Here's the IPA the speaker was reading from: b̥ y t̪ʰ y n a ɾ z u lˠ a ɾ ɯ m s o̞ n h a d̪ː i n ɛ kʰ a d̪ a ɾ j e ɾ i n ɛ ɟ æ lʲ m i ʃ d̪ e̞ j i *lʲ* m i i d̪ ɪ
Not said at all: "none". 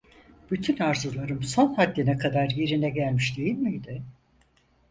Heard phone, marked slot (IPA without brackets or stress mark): lʲ